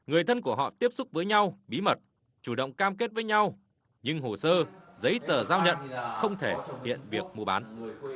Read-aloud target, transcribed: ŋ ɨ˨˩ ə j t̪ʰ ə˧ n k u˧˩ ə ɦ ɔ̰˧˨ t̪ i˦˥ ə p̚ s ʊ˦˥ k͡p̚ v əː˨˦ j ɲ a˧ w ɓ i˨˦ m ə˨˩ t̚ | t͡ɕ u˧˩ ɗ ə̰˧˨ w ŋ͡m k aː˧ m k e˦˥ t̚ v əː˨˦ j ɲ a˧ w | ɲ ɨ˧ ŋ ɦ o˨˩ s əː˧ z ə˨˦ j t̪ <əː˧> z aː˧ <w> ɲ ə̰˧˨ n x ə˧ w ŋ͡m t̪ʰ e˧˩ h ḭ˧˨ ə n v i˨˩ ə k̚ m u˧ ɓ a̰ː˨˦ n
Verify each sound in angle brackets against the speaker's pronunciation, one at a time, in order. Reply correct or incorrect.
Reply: incorrect, correct

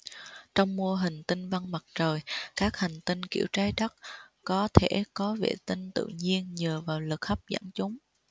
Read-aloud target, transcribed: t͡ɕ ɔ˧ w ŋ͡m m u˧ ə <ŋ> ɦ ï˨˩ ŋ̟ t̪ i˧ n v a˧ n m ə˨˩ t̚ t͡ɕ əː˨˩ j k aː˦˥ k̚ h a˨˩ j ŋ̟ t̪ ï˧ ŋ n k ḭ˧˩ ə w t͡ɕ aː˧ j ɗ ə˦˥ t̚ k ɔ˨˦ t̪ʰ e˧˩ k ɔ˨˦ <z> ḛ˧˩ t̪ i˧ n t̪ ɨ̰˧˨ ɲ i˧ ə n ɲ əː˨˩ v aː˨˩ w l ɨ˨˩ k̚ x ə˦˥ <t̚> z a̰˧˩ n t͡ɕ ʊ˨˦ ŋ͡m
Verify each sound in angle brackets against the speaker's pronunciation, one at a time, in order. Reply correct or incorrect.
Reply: incorrect, incorrect, incorrect

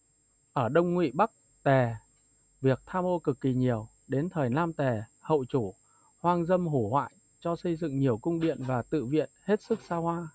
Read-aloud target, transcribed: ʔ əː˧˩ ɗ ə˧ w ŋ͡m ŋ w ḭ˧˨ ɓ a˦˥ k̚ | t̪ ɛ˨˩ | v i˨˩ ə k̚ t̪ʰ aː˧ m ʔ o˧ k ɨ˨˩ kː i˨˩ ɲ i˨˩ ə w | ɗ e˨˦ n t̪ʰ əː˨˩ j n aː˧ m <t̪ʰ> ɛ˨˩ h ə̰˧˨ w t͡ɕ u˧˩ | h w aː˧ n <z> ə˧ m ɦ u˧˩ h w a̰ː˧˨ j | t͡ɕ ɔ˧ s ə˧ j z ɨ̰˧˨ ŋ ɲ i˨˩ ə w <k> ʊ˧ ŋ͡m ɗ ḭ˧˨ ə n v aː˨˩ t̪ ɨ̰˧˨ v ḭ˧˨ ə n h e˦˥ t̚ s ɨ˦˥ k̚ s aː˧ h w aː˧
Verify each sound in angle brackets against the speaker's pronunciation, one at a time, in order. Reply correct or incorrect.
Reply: incorrect, correct, correct

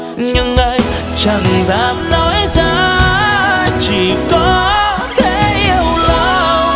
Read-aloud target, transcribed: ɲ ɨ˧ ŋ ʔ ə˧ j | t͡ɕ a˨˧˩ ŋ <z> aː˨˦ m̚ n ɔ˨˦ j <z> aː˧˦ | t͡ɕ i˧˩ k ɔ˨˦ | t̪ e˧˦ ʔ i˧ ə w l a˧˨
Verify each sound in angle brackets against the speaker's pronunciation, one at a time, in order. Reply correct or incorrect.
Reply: correct, correct

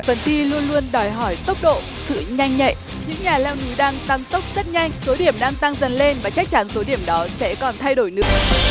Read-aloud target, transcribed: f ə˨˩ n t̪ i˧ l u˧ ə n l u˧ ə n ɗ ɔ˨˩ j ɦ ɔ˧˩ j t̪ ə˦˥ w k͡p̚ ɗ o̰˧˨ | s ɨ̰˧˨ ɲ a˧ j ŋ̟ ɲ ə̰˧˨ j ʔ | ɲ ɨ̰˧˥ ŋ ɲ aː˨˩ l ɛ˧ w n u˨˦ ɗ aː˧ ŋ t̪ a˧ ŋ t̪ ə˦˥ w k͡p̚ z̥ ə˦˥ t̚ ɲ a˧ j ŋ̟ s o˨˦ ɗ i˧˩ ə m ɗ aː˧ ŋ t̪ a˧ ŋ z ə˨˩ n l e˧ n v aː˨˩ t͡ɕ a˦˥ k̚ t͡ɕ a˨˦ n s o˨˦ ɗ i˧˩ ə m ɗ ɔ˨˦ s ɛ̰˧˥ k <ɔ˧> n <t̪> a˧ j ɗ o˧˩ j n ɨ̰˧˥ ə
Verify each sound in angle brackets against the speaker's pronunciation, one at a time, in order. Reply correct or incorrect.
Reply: incorrect, incorrect

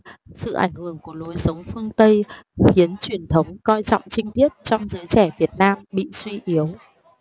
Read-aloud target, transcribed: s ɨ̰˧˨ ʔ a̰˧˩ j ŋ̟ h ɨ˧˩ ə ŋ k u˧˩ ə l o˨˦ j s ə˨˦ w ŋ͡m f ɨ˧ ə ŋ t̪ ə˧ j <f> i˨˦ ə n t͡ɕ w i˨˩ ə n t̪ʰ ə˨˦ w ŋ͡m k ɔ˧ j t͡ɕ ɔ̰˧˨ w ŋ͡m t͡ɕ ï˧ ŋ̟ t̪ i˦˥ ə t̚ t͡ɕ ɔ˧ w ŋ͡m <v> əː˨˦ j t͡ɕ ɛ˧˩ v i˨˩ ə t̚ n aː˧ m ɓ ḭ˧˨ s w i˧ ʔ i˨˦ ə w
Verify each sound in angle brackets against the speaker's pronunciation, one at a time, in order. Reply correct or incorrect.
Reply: incorrect, incorrect

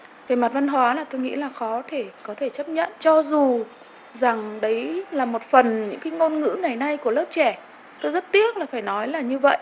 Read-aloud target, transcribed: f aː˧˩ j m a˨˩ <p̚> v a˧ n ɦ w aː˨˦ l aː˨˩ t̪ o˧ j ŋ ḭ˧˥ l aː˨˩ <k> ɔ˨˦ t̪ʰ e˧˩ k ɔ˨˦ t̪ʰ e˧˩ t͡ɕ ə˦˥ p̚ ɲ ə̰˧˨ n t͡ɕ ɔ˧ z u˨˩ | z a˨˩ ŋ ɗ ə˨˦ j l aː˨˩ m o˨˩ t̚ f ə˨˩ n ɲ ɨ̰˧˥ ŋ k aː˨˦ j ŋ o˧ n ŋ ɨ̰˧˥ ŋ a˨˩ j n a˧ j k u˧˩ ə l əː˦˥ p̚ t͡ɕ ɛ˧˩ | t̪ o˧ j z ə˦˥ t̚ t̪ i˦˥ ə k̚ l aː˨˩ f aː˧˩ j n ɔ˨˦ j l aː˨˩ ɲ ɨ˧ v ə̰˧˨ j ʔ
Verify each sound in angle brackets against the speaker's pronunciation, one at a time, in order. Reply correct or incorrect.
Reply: incorrect, incorrect

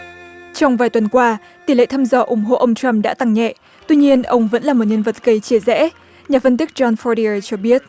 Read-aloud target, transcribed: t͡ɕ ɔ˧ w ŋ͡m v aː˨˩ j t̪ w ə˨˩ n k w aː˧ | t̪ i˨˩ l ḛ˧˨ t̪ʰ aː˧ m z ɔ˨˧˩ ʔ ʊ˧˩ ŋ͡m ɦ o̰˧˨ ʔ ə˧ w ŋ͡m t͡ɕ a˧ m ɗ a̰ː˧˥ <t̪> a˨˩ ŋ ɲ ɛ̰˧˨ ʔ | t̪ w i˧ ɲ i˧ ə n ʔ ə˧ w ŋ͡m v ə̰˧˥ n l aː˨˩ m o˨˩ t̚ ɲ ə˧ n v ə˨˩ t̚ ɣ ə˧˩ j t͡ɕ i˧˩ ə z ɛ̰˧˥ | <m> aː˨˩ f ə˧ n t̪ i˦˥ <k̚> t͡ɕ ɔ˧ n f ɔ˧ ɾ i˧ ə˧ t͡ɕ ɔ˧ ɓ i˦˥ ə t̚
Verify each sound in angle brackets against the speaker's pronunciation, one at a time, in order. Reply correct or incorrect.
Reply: correct, incorrect, correct

